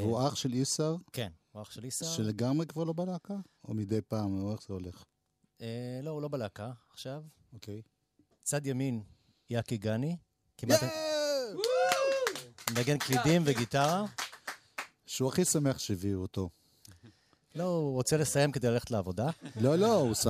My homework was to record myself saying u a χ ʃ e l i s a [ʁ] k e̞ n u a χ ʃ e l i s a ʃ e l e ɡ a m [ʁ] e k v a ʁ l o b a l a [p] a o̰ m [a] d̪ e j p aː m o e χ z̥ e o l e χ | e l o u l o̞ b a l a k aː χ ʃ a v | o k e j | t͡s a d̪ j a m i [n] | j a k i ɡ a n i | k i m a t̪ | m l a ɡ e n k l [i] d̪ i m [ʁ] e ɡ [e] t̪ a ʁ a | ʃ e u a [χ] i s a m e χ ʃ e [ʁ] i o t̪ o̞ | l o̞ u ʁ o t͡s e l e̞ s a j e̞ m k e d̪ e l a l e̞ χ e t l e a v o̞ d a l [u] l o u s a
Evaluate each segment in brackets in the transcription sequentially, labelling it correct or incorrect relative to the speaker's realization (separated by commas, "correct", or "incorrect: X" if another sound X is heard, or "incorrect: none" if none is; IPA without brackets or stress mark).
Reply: correct, correct, incorrect: k, incorrect: i, correct, correct, incorrect: v, incorrect: i, correct, incorrect: v, incorrect: o